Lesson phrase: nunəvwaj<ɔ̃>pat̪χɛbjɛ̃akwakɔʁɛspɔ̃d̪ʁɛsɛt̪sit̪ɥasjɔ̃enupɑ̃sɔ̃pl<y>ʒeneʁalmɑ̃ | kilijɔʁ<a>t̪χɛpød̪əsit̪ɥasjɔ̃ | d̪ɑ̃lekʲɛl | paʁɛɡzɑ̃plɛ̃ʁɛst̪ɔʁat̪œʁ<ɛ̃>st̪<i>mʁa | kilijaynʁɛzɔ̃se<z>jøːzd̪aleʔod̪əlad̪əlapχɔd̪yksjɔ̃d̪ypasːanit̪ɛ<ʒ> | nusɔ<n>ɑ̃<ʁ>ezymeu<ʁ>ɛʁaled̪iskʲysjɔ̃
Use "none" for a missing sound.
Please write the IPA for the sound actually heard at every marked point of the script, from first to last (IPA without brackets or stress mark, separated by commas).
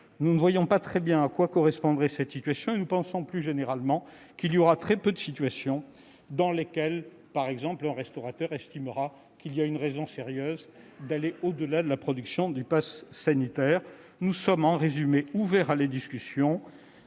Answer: ɔ̃, y, a, ɛ, i, ʁ, ʁ, m, ʁ, v